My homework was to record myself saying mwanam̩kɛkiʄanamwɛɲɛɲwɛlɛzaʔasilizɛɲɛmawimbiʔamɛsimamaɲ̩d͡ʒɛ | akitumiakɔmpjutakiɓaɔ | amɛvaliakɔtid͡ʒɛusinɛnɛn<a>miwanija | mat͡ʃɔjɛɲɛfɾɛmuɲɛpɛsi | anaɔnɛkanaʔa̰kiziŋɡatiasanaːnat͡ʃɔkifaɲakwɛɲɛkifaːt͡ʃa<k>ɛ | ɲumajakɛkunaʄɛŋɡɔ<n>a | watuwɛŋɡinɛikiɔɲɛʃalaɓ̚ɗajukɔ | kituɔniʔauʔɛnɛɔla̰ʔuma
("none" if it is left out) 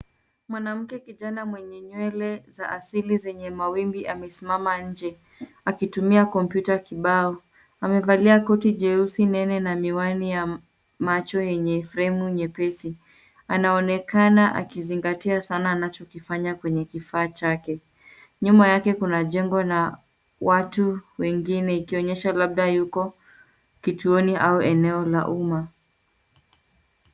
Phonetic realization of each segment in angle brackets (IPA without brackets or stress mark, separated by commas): a, k, n